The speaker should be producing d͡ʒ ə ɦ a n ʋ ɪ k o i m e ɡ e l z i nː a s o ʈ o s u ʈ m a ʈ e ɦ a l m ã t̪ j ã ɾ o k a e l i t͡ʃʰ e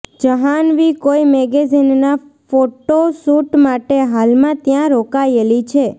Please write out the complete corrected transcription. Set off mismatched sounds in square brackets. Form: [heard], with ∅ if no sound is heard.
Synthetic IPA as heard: d͡ʒ ə ɦ a n ʋ [i] k o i m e ɡ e [∅] z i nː a [f] o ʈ o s u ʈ m a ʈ e ɦ a l m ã t̪ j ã ɾ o k a e l i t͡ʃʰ e